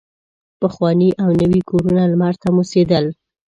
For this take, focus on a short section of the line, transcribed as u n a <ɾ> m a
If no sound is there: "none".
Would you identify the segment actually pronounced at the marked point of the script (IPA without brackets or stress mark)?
l